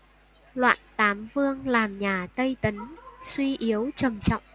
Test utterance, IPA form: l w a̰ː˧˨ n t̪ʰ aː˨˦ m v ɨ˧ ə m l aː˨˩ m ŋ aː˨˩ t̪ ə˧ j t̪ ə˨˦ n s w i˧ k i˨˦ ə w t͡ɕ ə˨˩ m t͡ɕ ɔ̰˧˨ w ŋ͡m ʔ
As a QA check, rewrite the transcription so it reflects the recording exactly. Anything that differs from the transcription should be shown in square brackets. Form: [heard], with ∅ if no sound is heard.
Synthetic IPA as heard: l w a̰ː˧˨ n [t̪] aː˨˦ m v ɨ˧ ə [ŋ] l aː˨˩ m [ɲ] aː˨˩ t̪ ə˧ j t̪ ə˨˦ n s w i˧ [ʔ] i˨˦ ə w t͡ɕ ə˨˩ m t͡ɕ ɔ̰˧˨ w ŋ͡m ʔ

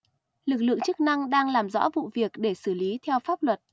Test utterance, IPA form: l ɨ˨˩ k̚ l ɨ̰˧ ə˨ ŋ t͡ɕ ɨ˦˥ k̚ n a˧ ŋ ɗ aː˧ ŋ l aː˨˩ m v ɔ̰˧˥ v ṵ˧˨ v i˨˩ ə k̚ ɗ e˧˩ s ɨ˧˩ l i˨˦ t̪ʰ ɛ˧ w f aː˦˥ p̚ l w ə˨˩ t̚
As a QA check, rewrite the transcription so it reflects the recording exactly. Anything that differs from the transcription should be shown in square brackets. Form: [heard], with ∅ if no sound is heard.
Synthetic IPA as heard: l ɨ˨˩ k̚ l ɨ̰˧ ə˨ ŋ t͡ɕ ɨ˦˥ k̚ n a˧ ŋ ɗ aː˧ ŋ l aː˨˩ m [z] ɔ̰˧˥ v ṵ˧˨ v i˨˩ ə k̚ ɗ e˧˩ s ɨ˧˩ l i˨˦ t̪ʰ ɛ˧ w f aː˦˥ p̚ l w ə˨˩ t̚

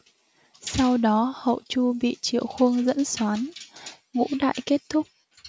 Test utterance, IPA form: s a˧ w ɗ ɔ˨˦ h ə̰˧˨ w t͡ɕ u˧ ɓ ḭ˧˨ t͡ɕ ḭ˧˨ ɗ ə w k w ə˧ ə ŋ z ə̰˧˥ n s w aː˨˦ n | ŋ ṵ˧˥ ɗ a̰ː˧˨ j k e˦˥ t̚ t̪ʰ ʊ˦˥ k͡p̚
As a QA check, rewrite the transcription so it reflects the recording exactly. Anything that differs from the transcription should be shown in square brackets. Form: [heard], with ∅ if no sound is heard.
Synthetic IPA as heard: s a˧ w ɗ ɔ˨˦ h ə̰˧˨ w t͡ɕ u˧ ɓ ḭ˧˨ t͡ɕ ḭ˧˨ [∅] ə w [x] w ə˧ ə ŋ z ə̰˧˥ n s w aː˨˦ n | ŋ ṵ˧˥ ɗ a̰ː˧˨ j k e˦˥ t̚ t̪ʰ ʊ˦˥ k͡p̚

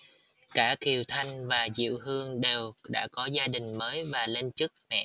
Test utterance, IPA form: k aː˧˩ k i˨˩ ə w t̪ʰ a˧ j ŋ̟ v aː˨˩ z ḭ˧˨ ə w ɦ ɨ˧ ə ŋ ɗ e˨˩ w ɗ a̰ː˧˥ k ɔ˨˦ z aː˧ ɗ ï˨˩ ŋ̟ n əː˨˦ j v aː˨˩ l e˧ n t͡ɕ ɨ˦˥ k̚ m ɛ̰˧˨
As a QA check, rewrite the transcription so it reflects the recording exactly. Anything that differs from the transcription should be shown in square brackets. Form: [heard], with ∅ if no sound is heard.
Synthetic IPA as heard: k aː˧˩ k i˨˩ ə w t̪ʰ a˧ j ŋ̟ v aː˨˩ z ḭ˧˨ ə w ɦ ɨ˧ ə ŋ ɗ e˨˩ w ɗ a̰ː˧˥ k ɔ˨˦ z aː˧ ɗ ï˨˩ ŋ̟ [m] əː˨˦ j v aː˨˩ l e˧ n t͡ɕ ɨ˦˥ k̚ m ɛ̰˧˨

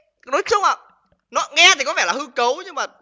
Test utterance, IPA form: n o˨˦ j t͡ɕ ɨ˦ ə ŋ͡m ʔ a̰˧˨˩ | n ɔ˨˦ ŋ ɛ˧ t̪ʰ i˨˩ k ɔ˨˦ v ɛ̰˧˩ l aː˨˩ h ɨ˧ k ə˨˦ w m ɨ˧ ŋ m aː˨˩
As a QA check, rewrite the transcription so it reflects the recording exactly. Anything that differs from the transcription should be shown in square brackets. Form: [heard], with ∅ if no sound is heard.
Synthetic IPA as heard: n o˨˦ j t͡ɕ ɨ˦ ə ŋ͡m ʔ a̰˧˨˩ | n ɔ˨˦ ŋ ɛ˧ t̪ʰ i˨˩ k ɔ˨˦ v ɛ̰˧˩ l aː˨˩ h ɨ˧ k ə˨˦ w [ɲ] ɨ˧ ŋ m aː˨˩

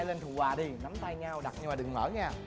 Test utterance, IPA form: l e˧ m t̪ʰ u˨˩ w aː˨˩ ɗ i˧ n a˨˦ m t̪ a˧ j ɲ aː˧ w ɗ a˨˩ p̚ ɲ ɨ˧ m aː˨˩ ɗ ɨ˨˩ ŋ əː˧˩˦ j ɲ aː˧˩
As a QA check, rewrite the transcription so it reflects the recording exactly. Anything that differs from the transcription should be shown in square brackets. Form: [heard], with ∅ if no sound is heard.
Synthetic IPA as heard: l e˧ [n] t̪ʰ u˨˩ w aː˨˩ ɗ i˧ n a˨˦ m t̪ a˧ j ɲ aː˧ w ɗ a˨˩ [t̚] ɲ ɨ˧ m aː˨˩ ɗ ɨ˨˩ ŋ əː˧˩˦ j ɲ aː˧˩

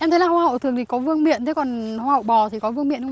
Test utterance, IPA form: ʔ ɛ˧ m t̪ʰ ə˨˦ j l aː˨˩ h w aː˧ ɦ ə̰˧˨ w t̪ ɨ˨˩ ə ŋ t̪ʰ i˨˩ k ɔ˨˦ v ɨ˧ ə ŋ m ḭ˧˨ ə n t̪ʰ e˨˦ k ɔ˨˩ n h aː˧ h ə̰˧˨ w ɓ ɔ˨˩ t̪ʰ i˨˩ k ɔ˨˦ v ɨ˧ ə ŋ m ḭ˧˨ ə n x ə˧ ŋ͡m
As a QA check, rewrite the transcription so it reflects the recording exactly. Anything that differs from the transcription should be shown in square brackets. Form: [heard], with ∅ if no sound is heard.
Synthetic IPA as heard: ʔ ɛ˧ m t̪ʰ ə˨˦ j l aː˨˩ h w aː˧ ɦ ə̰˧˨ w t̪ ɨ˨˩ ə ŋ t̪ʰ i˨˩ k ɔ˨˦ v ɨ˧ ə ŋ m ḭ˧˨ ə n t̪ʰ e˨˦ k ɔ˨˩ n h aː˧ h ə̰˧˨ w ɓ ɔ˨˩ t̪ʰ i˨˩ k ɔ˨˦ v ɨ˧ ə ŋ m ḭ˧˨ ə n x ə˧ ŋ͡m

